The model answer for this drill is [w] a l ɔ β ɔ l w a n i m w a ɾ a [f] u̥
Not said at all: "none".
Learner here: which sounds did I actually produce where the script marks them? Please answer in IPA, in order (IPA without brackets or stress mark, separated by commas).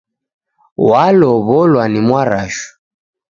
w, ʃ